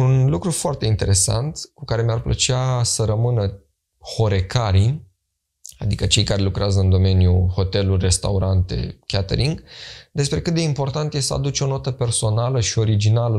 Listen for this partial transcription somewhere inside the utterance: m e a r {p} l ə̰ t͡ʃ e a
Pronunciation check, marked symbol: correct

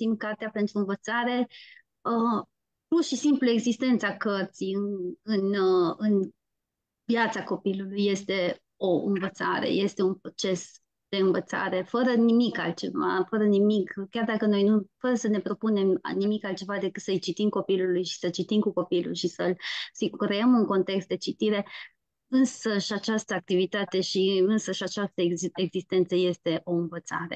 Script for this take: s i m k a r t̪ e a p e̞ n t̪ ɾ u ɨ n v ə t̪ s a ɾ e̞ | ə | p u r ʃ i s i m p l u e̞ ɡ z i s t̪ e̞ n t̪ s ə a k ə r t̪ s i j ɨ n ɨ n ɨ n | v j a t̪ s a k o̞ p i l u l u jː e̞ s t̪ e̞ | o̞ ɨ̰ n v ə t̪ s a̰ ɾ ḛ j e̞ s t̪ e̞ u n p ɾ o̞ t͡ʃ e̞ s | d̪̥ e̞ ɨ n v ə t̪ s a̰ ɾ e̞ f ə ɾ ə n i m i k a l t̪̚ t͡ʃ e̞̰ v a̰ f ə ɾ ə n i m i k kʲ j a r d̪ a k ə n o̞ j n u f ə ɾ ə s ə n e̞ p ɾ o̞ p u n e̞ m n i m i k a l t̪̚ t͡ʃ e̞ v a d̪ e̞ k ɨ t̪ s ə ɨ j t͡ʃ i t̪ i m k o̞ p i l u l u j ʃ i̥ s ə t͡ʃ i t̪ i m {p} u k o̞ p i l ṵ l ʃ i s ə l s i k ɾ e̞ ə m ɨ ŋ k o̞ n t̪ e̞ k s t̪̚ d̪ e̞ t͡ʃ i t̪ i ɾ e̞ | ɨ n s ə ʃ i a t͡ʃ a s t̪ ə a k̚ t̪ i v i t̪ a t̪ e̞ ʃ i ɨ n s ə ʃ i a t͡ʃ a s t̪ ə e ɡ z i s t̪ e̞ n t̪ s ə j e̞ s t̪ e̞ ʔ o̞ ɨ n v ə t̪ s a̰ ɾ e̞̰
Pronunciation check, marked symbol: incorrect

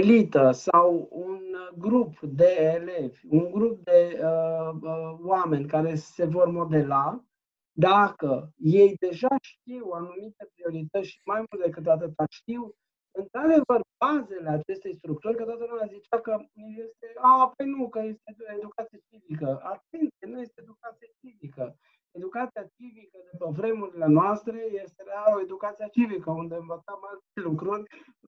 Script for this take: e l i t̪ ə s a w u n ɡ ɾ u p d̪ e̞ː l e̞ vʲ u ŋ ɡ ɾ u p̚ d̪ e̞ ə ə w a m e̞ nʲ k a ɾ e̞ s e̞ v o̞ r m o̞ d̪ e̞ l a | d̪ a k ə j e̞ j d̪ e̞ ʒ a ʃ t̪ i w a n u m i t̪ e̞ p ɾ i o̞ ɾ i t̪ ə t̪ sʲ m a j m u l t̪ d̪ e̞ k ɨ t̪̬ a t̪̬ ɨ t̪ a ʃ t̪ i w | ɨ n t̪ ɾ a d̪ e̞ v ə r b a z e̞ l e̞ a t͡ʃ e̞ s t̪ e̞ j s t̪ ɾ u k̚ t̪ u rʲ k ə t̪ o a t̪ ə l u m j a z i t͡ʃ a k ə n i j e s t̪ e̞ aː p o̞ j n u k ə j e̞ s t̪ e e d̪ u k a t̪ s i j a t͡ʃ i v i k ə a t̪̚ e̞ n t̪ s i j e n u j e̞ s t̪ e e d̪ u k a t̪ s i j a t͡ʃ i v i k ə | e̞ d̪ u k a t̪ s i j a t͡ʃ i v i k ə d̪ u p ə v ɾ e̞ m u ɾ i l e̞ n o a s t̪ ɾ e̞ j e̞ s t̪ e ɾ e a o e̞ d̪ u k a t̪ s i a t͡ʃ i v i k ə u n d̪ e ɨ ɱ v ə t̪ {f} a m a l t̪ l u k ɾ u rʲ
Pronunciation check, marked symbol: incorrect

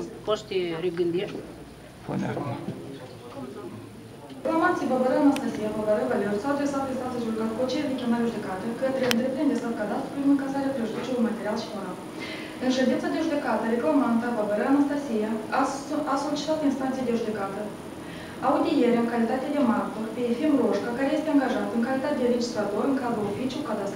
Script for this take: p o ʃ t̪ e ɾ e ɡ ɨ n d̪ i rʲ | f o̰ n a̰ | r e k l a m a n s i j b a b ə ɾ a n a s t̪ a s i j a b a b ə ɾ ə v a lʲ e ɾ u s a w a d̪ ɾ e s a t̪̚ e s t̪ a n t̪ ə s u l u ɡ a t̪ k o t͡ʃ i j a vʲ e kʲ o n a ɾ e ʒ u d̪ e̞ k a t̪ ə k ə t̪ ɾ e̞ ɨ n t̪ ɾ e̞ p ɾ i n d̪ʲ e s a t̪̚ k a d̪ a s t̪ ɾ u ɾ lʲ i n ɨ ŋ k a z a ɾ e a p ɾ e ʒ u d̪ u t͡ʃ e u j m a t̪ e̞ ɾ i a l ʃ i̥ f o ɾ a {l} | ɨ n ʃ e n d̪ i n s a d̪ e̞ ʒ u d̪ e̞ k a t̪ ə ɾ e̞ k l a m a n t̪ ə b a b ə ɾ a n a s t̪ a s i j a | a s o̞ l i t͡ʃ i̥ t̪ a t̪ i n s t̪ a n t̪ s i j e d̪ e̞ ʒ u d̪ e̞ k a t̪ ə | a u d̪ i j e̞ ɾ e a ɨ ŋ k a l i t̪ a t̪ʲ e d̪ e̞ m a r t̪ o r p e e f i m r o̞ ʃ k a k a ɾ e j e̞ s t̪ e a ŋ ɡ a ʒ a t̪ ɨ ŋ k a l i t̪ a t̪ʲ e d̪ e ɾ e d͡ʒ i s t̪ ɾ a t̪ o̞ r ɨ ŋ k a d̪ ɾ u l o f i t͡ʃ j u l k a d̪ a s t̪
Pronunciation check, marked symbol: correct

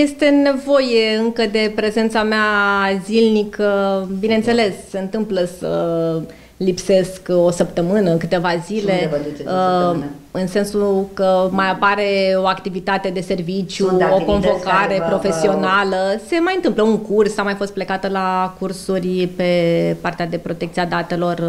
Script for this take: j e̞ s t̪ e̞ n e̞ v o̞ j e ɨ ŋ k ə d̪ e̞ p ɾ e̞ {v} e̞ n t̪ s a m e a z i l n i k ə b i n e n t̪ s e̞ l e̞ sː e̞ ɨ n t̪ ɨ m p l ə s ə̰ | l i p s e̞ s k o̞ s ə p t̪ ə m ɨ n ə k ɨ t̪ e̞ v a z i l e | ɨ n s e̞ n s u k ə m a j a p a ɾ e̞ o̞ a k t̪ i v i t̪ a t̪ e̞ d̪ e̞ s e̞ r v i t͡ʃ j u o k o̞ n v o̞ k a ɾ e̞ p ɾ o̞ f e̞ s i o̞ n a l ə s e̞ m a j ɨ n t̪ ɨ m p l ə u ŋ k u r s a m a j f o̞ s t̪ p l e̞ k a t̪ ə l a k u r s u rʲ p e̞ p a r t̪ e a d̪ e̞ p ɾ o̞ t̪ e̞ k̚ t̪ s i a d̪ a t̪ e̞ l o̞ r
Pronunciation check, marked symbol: incorrect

